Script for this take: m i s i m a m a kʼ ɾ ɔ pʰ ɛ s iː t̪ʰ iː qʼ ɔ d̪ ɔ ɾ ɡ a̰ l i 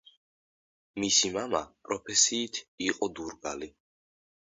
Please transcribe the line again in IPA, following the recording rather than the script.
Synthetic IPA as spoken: m i s i m a m a pʼ ɾ ɔ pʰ ɛ s iː t̪ʰ i qʼ ɔ d̪ u ɾ ɡ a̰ l i